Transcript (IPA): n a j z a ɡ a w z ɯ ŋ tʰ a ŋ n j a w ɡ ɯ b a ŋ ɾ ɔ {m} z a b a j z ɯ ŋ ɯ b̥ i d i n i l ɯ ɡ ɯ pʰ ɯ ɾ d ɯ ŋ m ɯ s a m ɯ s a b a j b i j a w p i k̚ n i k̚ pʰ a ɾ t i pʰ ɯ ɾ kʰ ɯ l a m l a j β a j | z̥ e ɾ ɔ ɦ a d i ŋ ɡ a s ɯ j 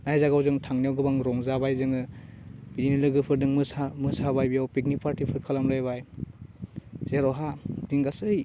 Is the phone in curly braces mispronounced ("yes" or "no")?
yes